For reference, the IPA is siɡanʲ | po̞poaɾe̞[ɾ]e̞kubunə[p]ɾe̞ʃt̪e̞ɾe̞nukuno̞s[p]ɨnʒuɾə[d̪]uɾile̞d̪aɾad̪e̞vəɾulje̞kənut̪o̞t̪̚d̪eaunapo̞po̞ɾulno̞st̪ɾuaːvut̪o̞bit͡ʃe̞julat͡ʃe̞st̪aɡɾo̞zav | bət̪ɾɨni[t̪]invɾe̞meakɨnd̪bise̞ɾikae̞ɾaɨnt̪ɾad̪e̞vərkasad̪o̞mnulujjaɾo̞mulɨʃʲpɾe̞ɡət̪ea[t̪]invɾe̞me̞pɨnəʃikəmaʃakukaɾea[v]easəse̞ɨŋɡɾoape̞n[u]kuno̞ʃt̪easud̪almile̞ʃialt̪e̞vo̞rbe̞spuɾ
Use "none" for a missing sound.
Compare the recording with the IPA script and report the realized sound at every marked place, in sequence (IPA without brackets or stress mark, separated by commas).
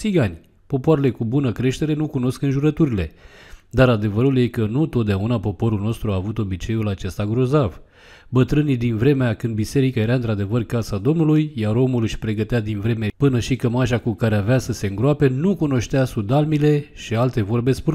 l, k, k, t̪, d̪, d̪, v, u